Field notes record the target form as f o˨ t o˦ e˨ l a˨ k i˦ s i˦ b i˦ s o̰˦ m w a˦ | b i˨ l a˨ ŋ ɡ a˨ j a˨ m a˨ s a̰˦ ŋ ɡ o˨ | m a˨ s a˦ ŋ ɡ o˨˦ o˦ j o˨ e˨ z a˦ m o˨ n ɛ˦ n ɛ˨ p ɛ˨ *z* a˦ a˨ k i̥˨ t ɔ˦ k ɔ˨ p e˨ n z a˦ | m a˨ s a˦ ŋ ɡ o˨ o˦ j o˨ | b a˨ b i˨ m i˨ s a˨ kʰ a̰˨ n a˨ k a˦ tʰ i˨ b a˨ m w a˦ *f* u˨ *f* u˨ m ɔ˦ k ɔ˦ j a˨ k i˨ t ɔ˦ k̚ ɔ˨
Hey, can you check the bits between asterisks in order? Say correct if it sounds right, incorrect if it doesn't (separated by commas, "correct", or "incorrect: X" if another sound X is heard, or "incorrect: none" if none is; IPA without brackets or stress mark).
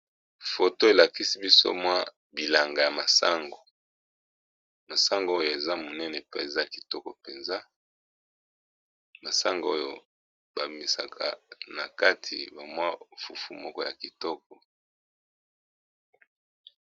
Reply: correct, correct, correct